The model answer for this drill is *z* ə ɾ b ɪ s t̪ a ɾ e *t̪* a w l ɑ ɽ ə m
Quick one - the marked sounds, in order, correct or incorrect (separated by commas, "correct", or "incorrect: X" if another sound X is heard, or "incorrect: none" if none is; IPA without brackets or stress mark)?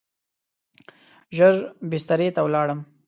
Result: incorrect: ʒ, correct